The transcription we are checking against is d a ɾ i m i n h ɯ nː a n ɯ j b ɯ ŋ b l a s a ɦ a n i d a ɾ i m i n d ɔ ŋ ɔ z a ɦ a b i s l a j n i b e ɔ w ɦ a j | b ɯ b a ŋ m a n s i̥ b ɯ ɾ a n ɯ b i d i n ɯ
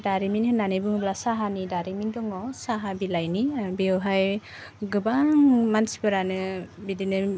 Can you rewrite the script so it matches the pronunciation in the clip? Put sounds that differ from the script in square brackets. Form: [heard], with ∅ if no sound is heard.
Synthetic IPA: d a ɾ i m i n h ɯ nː a n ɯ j b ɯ ŋ b l a s a ɦ a n i d a ɾ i m i n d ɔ ŋ ɔ [s] a ɦ a b i [∅] l a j n i b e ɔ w ɦ a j | [ɡ] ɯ b a ŋ m a n s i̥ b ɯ ɾ a n ɯ b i d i n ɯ